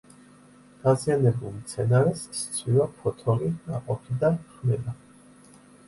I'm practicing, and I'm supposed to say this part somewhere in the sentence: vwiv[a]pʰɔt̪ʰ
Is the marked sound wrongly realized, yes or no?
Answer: no